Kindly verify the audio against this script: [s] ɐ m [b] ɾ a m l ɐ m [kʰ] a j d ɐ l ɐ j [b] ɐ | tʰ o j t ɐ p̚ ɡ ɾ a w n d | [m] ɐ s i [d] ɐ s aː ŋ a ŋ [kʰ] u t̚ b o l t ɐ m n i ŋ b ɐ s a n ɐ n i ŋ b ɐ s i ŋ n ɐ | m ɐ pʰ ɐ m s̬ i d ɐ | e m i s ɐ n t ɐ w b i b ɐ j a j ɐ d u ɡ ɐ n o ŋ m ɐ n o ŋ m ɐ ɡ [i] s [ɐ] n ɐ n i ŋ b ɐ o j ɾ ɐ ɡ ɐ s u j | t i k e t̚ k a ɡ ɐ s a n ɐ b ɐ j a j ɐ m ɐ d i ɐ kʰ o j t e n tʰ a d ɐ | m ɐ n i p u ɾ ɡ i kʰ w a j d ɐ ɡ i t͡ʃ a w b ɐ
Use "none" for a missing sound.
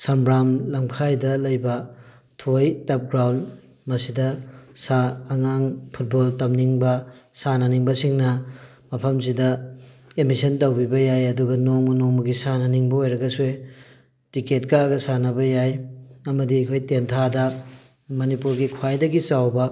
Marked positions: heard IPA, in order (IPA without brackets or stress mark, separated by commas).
s, b, kʰ, b, m, d, pʰ, i, a